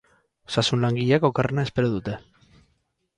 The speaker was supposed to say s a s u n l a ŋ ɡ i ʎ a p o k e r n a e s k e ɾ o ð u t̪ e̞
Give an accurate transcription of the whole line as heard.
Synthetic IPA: s a s u n l a ŋ ɡ i ʎ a k o k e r n a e s p e ɾ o ð u t̪ e̞